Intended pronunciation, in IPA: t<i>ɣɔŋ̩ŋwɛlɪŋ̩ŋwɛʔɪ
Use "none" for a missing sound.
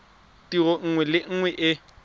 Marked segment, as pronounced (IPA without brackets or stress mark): i